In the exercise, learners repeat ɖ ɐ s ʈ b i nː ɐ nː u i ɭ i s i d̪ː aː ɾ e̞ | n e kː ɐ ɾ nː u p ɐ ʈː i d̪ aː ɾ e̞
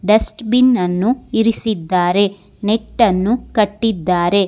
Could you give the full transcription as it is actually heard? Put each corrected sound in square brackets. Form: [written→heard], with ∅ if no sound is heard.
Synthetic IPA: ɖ ɐ s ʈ b i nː ɐ nː u i [ɭ→ɾ] i s i d̪ː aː ɾ e̞ | n e [kː→ʈː] ɐ [ɾ→∅] nː u [p→k] ɐ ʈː i [d̪→d̪ː] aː ɾ e̞